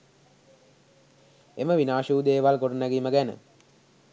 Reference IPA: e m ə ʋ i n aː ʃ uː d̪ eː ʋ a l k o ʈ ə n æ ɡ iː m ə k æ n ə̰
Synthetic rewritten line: e m ə ʋ i n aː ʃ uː d̪ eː ʋ a l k o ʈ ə n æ ɡ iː m ə ɡ æ n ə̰